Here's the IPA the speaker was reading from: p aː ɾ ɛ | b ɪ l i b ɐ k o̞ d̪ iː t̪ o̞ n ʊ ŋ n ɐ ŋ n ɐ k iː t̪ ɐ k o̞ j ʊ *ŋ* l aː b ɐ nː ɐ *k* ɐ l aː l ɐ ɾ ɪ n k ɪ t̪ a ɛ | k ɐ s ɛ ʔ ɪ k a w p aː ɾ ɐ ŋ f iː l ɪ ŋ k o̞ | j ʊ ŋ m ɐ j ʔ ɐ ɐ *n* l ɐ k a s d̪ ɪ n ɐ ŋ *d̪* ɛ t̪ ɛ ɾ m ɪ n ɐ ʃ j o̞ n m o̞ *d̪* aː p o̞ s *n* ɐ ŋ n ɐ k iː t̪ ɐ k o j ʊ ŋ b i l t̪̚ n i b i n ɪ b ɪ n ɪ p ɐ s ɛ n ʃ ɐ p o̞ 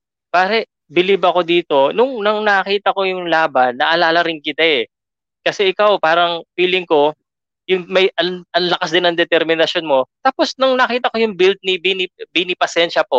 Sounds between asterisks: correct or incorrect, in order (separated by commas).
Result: correct, incorrect, correct, correct, incorrect, correct